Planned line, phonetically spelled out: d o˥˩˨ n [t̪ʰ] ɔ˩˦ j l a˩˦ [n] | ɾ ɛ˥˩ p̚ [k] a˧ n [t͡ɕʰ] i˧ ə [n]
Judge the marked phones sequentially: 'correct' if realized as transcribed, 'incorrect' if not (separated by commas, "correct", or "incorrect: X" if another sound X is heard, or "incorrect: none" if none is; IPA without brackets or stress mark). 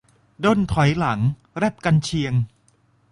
correct, incorrect: ŋ, correct, correct, incorrect: ŋ